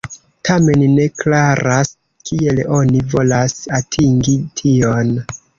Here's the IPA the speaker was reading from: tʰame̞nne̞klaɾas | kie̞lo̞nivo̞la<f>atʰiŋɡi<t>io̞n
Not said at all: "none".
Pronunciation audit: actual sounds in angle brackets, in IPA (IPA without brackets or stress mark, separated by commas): s, tʰ